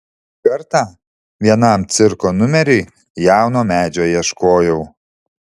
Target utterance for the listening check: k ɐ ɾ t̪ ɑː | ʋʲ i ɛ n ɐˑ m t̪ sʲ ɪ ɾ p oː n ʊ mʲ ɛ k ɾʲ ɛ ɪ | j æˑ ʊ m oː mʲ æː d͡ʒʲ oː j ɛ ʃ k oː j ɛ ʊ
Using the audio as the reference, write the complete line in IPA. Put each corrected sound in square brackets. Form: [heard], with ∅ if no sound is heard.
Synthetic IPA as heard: k ɐ ɾ t̪ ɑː | ʋʲ i ɛ n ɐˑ m t̪ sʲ ɪ ɾ [k] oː n ʊ mʲ ɛ [∅] ɾʲ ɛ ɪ | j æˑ ʊ [n] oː mʲ æː d͡ʒʲ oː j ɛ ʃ k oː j ɛ ʊ